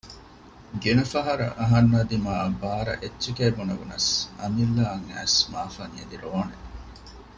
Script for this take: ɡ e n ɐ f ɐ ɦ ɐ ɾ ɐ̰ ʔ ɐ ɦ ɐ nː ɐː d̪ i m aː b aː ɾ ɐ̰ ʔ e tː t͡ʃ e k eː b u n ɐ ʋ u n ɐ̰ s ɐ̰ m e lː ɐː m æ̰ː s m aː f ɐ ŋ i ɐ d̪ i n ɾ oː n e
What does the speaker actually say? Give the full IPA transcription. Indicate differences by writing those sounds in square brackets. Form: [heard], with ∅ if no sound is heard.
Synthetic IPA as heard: ɡ e n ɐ f ɐ ɦ ɐ ɾ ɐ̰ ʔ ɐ ɦ ɐ nː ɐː d̪ i m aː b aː ɾ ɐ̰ ʔ e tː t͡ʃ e k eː b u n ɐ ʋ u n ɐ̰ s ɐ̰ m [i] lː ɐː [ŋ] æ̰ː s m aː f ɐ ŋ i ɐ d̪ i [∅] ɾ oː n e